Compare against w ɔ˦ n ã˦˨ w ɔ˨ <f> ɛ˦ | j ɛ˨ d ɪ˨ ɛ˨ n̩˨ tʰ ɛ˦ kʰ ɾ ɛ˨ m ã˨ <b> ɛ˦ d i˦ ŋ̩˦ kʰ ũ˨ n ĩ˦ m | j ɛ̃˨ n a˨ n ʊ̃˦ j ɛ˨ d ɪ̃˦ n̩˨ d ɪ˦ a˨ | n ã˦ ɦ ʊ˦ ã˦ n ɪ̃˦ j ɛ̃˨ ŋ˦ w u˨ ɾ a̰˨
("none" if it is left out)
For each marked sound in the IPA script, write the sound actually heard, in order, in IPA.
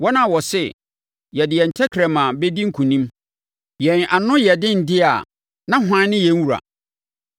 s, b

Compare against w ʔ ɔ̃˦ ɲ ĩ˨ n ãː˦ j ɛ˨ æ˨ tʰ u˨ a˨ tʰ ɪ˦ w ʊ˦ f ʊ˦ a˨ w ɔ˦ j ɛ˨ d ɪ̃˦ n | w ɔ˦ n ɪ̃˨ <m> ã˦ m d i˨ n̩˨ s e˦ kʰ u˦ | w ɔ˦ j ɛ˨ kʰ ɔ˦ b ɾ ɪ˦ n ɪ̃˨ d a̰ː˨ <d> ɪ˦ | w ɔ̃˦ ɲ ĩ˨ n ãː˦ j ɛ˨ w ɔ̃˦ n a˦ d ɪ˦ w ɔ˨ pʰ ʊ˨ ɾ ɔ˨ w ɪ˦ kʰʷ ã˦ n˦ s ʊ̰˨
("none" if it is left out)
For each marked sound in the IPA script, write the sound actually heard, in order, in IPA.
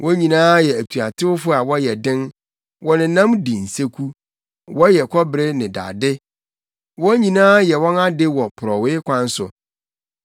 n, d

